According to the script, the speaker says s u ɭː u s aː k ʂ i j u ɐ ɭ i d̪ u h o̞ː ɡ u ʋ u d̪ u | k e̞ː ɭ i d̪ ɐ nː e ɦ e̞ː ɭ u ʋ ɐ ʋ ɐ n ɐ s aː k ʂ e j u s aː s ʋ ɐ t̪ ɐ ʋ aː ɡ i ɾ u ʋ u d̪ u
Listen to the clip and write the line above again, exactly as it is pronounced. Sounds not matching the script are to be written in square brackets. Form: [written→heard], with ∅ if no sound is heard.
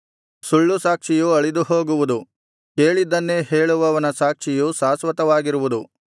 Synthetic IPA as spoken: s u ɭː u s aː k ʂ i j u ɐ ɭ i d̪ u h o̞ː ɡ u ʋ u d̪ u | k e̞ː ɭ i d̪ ɐ nː e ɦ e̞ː ɭ u ʋ ɐ ʋ ɐ n ɐ s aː k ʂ [e→i] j u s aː s ʋ ɐ t̪ ɐ ʋ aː ɡ i ɾ u ʋ u d̪ u

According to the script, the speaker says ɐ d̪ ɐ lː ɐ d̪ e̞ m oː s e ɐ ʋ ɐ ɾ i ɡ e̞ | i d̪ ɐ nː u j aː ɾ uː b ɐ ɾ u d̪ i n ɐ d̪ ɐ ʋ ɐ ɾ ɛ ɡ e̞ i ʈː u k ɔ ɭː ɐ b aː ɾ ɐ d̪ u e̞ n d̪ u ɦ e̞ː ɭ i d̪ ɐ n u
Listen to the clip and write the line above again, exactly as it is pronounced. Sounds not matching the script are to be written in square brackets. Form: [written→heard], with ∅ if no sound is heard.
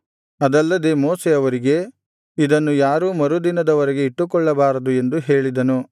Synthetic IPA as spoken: ɐ d̪ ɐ lː ɐ d̪ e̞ m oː s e ɐ ʋ ɐ ɾ i ɡ e̞ | i d̪ ɐ nː u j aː ɾ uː [b→m] ɐ ɾ u d̪ i n ɐ d̪ ɐ ʋ ɐ ɾ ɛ ɡ e̞ i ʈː u k ɔ ɭː ɐ b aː ɾ ɐ d̪ u e̞ n d̪ u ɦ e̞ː ɭ i d̪ ɐ n u

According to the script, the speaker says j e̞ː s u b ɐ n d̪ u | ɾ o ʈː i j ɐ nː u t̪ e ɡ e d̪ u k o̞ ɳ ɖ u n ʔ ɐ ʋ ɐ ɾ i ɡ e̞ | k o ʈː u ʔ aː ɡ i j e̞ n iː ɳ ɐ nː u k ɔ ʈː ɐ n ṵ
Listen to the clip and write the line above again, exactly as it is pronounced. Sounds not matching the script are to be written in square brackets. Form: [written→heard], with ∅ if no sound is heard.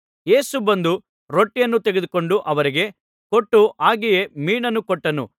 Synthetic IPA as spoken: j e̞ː s u b ɐ n d̪ u | ɾ o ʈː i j ɐ nː u t̪ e ɡ e d̪ u k o̞ ɳ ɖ u [n→∅] ʔ ɐ ʋ ɐ ɾ i ɡ e̞ | k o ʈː u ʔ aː ɡ i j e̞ [n→m] iː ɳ ɐ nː u k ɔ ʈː ɐ n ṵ

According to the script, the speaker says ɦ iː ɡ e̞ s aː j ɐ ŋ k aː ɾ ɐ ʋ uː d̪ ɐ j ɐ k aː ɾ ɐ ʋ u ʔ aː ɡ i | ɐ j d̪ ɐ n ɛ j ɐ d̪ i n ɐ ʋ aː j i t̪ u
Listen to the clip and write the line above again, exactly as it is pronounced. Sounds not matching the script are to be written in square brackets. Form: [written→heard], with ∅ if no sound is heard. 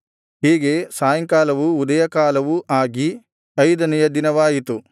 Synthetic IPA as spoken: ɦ iː ɡ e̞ s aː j ɐ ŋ k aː [ɾ→l] ɐ ʋ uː d̪ ɐ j ɐ k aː [ɾ→l] ɐ ʋ u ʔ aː ɡ i | ɐ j d̪ ɐ n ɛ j ɐ d̪ i n ɐ ʋ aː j i t̪ u

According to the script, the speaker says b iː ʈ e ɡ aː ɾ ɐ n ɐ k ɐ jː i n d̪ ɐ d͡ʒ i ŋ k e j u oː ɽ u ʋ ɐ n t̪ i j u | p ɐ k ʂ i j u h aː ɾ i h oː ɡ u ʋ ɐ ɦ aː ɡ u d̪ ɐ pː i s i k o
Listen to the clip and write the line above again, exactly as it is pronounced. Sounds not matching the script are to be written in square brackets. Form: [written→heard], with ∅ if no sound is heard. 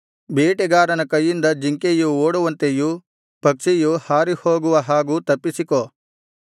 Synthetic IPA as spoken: b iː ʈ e ɡ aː ɾ ɐ n ɐ k ɐ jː i n d̪ ɐ d͡ʒ i ŋ k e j u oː ɽ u ʋ ɐ n t̪ [i→e] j u | p ɐ k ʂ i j u h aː ɾ i h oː ɡ u ʋ ɐ ɦ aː ɡ u [d̪→t̪] ɐ pː i s i k o

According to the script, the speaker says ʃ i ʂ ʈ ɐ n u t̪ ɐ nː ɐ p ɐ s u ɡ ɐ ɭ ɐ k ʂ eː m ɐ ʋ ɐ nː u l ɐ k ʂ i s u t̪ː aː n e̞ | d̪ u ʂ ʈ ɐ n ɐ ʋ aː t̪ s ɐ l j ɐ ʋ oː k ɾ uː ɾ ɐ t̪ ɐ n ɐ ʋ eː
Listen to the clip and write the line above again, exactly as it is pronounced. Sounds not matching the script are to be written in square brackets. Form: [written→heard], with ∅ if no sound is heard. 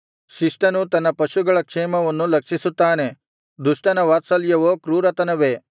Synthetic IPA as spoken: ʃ i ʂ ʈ ɐ n u t̪ ɐ nː ɐ p ɐ [s→ʃ] u ɡ ɐ ɭ ɐ k ʂ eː m ɐ ʋ ɐ nː u l ɐ k ʂ i s u t̪ː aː n e̞ | d̪ u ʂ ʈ ɐ n ɐ ʋ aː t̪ s ɐ l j ɐ ʋ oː k ɾ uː ɾ ɐ t̪ ɐ n ɐ ʋ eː

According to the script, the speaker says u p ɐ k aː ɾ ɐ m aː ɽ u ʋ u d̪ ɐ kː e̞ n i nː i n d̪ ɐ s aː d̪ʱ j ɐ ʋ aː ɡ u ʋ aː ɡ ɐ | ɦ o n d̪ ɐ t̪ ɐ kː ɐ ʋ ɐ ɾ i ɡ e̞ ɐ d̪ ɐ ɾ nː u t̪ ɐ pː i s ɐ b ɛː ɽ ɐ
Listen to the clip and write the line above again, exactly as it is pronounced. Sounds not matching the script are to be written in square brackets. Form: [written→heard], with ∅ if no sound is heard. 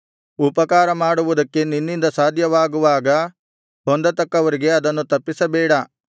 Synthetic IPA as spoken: u p ɐ k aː ɾ ɐ m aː ɽ u ʋ u d̪ ɐ kː e̞ n i nː i n d̪ ɐ s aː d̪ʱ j ɐ ʋ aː ɡ u ʋ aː ɡ ɐ | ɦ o n d̪ ɐ t̪ ɐ kː ɐ ʋ ɐ ɾ i ɡ e̞ ɐ d̪ ɐ [ɾ→∅] nː u t̪ ɐ pː i s ɐ b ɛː ɽ ɐ

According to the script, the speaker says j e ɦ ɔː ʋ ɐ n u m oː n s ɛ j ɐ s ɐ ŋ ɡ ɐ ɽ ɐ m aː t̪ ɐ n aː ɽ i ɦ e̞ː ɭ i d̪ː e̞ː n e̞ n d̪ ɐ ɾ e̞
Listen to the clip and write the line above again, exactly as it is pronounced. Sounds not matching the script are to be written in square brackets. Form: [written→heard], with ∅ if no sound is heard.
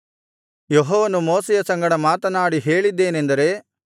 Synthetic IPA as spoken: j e ɦ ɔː ʋ ɐ n u m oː [n→∅] s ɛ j ɐ s ɐ ŋ ɡ ɐ ɽ ɐ m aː t̪ ɐ n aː ɽ i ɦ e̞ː ɭ i d̪ː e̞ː n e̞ n d̪ ɐ ɾ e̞

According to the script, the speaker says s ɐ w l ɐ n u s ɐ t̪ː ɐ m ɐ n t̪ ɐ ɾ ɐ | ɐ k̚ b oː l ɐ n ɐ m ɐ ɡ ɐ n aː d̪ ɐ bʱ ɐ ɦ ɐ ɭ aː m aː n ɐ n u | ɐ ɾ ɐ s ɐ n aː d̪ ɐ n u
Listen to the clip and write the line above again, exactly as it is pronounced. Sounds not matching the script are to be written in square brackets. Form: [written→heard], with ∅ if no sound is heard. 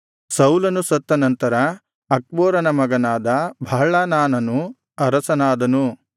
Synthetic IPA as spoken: s ɐ w l ɐ n u s ɐ t̪ː ɐ [m→n] ɐ n t̪ ɐ ɾ ɐ | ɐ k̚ b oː [l→ɾ] ɐ n ɐ m ɐ ɡ ɐ n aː d̪ ɐ bʱ ɐ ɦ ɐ ɭ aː [m→n] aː n ɐ n u | ɐ ɾ ɐ s ɐ n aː d̪ ɐ n u

